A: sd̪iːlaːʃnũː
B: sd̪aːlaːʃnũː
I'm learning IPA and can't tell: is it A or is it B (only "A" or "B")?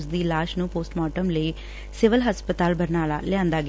A